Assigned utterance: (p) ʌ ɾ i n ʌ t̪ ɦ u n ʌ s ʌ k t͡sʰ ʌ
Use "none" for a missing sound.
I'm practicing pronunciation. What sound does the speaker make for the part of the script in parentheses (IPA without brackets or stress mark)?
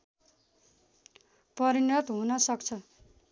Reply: p